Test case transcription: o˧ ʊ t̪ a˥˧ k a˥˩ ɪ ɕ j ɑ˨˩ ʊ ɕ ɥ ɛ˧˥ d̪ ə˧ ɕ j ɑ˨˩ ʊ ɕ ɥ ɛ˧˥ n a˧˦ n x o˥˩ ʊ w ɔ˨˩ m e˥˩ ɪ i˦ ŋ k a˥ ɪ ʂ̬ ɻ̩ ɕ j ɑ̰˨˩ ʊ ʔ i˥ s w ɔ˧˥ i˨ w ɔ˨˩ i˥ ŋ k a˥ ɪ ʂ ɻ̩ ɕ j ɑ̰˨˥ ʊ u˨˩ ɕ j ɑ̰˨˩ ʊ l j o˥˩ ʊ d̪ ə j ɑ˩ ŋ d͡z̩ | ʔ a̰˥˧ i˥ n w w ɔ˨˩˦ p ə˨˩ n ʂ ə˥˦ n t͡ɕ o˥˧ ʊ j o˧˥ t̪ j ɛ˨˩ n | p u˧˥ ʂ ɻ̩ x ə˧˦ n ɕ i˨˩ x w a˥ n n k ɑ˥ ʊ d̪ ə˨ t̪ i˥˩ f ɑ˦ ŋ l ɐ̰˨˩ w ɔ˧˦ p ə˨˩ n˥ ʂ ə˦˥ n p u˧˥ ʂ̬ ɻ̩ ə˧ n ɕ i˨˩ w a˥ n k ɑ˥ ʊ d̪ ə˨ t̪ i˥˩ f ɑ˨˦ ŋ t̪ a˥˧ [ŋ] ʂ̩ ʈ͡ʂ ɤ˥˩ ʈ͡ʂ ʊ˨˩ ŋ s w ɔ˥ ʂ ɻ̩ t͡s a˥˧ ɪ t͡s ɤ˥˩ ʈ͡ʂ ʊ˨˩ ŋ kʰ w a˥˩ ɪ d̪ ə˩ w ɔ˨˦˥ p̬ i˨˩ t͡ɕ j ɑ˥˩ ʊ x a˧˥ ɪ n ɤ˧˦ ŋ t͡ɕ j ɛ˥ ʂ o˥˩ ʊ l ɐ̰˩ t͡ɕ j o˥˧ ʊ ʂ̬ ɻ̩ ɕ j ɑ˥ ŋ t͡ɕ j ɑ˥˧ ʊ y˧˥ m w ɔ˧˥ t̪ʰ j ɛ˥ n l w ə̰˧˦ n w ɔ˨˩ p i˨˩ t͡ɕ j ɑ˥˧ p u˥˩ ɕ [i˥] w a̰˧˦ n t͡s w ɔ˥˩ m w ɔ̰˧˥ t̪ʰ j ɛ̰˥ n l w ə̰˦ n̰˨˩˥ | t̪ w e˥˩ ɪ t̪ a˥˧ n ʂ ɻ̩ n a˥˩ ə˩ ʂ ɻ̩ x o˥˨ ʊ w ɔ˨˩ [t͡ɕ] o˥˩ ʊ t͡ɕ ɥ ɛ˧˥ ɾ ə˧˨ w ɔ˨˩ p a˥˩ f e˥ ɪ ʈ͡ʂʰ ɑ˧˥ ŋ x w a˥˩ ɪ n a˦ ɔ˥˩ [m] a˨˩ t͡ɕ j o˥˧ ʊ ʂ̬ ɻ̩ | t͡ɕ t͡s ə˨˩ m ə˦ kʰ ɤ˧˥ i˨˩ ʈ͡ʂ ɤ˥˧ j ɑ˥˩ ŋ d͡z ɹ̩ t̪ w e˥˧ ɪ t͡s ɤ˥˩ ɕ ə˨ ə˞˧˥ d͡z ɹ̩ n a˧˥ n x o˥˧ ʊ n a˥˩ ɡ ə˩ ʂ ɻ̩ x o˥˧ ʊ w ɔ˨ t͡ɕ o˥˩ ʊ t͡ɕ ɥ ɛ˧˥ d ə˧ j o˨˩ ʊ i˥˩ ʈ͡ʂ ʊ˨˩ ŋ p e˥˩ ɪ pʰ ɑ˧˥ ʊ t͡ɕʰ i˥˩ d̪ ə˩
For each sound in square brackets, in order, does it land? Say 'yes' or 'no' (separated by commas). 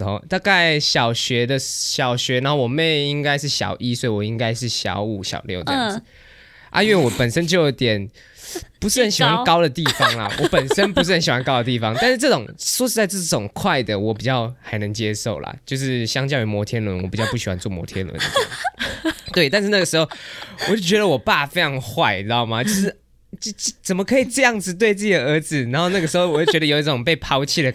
no, no, yes, yes